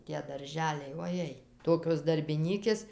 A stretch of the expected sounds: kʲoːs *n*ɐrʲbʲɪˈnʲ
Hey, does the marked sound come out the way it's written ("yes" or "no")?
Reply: no